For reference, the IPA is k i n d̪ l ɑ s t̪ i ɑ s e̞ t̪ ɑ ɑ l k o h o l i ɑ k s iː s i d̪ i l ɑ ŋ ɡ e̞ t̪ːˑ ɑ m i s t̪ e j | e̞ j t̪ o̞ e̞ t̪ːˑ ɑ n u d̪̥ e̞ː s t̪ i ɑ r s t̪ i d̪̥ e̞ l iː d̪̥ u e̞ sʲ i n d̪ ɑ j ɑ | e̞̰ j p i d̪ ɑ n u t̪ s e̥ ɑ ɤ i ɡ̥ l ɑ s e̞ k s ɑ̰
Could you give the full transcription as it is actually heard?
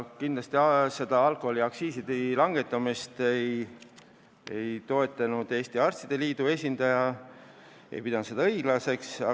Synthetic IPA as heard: k i n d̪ l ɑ s t̪ i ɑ s e̞ d̪ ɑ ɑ l k o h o l i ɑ k s iː s i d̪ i l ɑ ŋ ɡ e̞ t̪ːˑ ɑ m i s t̪ e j | e̞ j t̪ o̞ e̞ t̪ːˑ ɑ n u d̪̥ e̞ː s t̪ i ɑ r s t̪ i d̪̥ e̞ l iː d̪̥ u e̞ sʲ i n d̪ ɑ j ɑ | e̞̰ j p i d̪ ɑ n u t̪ s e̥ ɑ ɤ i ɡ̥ l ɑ s e̞ k s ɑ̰